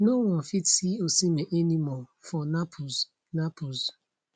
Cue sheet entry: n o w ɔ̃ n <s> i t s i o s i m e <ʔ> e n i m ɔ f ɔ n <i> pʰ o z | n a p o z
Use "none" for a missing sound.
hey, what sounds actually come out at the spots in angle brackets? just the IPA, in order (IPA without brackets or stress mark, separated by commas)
f, ʔ, a